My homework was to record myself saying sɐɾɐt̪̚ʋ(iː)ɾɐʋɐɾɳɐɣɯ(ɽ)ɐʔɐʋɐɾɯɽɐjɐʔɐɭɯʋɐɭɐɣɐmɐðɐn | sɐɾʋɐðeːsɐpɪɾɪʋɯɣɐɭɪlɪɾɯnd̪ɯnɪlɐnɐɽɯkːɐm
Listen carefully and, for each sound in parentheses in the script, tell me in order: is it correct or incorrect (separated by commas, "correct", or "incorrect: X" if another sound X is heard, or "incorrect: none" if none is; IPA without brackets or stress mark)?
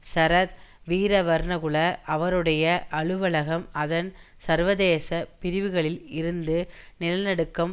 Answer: correct, incorrect: ɭ